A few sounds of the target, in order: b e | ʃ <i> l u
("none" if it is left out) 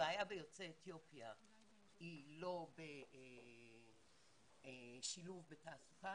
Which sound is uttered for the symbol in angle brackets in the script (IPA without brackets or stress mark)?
i